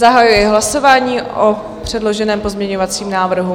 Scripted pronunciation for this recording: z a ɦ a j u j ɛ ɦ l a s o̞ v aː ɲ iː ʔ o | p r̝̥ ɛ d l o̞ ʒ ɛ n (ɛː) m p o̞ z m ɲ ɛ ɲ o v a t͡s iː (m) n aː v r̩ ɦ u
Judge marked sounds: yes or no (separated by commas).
yes, yes